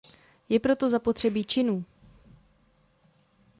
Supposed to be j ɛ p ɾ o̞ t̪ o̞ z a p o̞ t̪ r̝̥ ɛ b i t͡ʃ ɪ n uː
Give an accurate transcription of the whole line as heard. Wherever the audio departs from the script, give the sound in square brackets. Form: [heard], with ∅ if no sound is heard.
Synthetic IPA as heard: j ɛ p ɾ o̞ t̪ o̞ z a p o̞ t̪ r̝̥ ɛ b i t͡ʃ ɪ n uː